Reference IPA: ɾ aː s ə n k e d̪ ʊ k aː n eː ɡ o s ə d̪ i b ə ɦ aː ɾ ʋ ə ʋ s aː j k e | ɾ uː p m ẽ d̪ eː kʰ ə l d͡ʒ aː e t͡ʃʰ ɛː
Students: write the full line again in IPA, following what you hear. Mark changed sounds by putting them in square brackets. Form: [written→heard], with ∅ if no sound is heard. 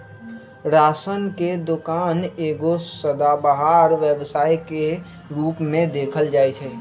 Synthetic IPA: ɾ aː s ə n k e d̪ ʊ k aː n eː ɡ o s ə d̪ [i→a] b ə ɦ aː ɾ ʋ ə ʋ s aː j k e | ɾ uː p m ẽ d̪ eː kʰ ə l d͡ʒ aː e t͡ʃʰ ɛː